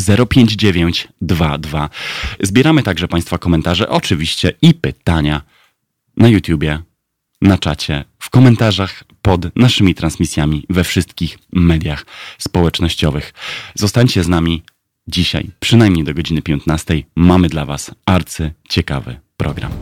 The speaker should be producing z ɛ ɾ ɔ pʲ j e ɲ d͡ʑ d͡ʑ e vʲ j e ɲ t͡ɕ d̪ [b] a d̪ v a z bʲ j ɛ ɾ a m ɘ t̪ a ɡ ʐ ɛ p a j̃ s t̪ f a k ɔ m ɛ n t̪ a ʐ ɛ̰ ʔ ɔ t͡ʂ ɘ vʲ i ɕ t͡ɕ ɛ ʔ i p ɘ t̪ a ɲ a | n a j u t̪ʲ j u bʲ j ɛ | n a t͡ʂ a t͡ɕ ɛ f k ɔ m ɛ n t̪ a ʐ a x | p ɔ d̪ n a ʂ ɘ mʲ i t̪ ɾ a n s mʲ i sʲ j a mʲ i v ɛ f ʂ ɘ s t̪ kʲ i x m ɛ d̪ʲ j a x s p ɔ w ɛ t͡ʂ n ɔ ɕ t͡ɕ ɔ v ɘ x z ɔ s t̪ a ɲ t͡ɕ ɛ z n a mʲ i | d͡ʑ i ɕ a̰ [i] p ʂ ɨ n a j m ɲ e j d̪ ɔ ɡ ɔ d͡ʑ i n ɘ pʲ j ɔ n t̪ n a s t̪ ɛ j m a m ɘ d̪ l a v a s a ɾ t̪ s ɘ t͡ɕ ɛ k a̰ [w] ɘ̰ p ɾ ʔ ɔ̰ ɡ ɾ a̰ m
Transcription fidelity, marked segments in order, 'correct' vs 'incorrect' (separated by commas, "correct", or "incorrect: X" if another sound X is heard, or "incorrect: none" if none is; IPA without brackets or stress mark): incorrect: v, incorrect: j, incorrect: v